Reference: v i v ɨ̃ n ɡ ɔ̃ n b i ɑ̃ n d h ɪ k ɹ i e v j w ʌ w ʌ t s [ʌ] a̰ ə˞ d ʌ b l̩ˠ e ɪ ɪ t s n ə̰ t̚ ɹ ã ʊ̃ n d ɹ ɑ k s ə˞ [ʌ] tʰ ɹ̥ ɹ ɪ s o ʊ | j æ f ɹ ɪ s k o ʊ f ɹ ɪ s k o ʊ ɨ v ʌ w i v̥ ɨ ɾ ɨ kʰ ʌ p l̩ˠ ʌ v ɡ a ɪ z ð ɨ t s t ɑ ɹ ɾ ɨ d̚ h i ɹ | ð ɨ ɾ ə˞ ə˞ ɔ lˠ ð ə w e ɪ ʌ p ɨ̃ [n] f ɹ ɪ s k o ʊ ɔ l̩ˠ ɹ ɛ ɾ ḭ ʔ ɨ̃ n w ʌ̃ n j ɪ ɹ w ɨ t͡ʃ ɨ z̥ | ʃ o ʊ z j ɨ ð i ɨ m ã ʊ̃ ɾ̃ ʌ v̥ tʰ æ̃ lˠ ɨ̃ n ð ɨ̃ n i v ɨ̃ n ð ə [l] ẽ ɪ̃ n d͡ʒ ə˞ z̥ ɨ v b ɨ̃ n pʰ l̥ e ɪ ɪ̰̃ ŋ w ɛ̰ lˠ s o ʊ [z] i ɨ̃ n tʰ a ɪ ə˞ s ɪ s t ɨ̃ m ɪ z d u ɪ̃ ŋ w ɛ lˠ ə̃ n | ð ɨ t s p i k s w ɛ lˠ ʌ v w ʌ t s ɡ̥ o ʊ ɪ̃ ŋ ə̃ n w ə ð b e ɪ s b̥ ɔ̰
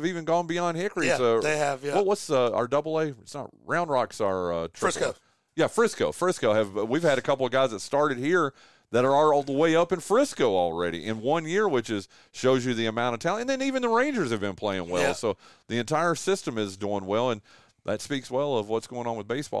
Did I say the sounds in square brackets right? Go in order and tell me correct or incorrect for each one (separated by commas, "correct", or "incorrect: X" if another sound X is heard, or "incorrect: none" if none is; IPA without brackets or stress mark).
correct, correct, correct, incorrect: ɹ, incorrect: ð